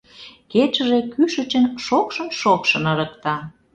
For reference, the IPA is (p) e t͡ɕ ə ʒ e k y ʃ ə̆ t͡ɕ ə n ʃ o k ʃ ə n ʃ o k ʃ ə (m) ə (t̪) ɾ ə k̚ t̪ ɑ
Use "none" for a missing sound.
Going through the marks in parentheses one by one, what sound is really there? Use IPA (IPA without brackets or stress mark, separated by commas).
k, n, none